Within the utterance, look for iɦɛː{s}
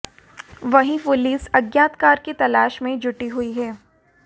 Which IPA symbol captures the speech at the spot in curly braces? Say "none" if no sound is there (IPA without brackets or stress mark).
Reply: none